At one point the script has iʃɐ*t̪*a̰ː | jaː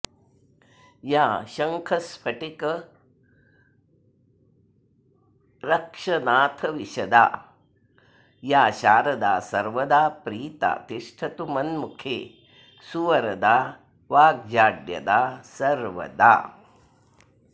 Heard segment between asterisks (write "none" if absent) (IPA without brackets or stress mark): d̪